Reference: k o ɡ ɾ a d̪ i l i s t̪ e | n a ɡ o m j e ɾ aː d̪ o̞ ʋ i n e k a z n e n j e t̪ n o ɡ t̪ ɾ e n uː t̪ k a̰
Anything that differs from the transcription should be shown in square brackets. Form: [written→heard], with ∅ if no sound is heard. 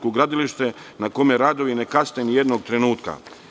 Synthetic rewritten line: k o ɡ ɾ a d̪ i l i [s→ʃ] t̪ e | n a [ɡ→k] o m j e ɾ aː d̪ o̞ ʋ i n e k a [z→s] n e n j e [t̪→d̪] n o ɡ t̪ ɾ e n uː t̪ k a̰